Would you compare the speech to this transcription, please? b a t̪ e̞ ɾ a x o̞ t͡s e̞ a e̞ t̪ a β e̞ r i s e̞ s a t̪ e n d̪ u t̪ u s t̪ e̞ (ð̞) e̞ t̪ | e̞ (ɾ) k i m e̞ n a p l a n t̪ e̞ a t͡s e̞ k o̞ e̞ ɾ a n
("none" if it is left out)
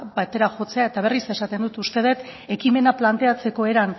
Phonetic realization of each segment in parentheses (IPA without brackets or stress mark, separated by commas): ð̞, none